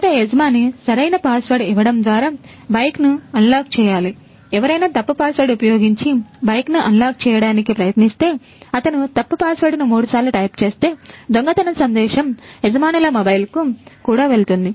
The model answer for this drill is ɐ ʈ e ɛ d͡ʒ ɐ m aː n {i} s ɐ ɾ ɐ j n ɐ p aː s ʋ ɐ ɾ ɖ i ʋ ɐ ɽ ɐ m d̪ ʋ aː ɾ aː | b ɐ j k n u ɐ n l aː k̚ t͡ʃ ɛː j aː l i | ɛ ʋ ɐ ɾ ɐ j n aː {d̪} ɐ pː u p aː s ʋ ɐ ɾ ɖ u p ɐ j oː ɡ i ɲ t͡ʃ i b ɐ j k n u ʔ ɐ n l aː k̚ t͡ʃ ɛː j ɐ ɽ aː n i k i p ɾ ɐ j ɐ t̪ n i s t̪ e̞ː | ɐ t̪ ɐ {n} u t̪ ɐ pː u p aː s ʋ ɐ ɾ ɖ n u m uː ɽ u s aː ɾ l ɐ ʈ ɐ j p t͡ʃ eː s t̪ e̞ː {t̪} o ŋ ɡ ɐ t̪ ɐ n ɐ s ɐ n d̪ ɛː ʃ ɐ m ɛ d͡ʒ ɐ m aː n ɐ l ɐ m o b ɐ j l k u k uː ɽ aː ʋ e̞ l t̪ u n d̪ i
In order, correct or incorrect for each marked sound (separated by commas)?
correct, incorrect, correct, incorrect